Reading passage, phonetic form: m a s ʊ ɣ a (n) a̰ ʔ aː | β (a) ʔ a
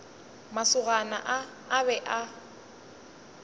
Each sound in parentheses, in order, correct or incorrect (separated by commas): correct, incorrect